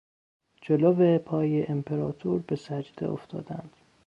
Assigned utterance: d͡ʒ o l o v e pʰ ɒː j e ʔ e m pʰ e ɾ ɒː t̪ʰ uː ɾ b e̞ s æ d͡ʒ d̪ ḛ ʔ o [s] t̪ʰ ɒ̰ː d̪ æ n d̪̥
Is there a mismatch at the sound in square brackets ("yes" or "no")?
yes